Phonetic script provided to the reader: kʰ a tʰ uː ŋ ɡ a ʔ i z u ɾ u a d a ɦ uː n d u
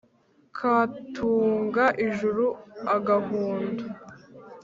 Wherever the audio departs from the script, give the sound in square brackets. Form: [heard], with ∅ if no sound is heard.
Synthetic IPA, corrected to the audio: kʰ a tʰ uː ŋ ɡ a ʔ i [ʒ] u ɾ u a [ɡ] a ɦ uː n d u